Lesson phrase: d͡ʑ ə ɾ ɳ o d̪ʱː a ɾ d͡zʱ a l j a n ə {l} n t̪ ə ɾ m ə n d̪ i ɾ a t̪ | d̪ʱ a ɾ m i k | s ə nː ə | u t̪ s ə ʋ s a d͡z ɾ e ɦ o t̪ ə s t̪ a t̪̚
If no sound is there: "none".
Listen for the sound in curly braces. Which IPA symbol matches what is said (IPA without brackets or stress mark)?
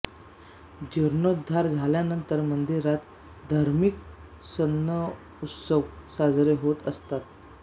none